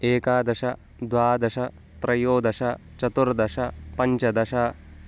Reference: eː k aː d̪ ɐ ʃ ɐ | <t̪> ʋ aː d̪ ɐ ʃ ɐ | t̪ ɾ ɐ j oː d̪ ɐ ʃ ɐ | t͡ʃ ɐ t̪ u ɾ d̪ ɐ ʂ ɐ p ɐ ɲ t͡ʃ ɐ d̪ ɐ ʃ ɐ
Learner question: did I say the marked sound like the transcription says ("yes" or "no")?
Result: no